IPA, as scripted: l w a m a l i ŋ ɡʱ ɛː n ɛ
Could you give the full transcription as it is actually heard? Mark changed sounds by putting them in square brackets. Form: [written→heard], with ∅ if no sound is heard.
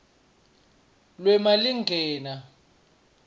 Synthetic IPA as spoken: l w [a→ɛ] m a l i ŋ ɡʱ ɛː n [ɛ→a]

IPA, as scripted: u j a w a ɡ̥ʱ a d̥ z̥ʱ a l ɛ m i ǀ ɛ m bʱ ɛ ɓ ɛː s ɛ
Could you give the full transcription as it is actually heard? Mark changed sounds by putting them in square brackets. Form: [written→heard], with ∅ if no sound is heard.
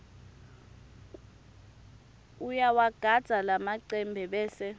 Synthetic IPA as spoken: u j a w a ɡ̥ʱ a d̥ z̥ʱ a l [ɛ→a] m [i→a] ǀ ɛ m bʱ ɛ ɓ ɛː s ɛ

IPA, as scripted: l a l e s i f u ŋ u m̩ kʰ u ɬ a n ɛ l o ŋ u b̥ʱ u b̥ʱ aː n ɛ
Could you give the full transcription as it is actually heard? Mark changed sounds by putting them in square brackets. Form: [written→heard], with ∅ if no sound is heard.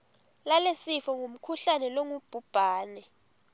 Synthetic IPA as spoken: l a l e s i f [u→ɔ] ŋ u m̩ kʰ u ɬ a n ɛ l o ŋ u b̥ʱ u b̥ʱ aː n ɛ

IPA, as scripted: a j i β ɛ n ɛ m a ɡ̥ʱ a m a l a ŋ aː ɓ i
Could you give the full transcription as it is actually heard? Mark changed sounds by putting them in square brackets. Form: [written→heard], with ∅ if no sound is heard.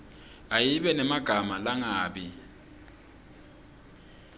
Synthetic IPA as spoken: a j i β ɛ n ɛ m a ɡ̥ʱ a m a l a ŋ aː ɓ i

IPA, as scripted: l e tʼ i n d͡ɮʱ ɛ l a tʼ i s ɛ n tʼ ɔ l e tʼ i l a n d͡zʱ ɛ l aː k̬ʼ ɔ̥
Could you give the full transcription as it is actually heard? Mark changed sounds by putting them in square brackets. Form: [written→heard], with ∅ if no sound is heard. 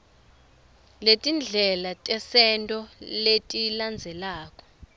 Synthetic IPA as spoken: l e tʼ i n d͡ɮʱ ɛ l a tʼ [i→ɛ] s ɛ n tʼ ɔ l e tʼ i l a n d͡zʱ ɛ l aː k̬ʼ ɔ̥

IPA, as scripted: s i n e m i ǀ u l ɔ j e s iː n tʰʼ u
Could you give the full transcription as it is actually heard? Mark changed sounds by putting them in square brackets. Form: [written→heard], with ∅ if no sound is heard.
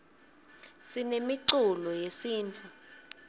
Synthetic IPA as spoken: s i n e m i ǀ u l ɔ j e s iː n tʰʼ u

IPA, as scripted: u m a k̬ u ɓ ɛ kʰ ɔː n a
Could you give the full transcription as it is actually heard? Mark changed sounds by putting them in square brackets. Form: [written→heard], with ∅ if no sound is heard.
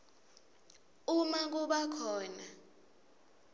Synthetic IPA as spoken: u m a k̬ u ɓ [ɛ→a] kʰ ɔː n a

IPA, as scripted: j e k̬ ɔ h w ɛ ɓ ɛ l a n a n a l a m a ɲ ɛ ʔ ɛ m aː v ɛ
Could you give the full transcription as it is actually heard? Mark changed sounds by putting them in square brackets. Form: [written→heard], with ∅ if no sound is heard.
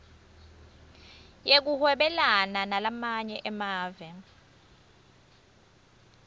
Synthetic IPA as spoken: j e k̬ [ɔ→u] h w ɛ ɓ ɛ l a n a n a l a m a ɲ ɛ ʔ ɛ m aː v ɛ

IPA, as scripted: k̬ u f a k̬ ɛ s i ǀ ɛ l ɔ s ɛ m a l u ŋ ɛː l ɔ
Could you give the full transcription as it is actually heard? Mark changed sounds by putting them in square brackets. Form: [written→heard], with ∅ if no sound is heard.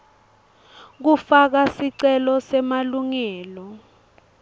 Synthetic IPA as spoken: k̬ u f a k̬ [ɛ→a] s i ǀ ɛ l ɔ s ɛ m a l u ŋ ɛː l ɔ

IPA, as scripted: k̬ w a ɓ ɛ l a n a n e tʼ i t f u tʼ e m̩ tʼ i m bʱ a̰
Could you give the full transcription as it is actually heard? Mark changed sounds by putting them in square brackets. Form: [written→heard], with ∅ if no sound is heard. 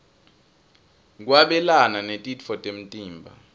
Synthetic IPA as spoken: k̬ w a ɓ ɛ l a n a n e tʼ i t f [u→ɔ] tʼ e m̩ tʼ [i→iː] m bʱ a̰

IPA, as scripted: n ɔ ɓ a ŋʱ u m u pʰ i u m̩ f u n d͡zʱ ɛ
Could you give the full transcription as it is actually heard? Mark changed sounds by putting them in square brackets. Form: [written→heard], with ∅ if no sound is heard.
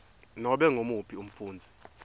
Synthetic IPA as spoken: n ɔ ɓ [a→ɛ] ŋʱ [u→o] m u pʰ i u m̩ f [u→uː] n d͡zʱ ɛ

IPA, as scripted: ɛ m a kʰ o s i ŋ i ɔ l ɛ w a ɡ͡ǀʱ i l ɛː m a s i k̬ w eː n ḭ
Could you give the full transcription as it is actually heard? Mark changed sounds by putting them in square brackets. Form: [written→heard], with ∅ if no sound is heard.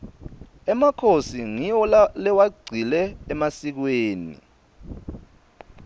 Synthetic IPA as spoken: ɛ m a kʰ o s i ŋ i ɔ l ɛ w a ɡ͡ǀʱ i l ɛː m a s i k̬ w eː n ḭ

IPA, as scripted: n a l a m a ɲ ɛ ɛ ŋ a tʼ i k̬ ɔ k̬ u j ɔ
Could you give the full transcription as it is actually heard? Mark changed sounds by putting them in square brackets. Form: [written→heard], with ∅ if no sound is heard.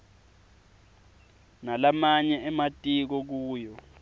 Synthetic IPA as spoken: n a l a m a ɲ ɛ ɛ [ŋ→m] a tʼ i k̬ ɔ k̬ [u→uː] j ɔ

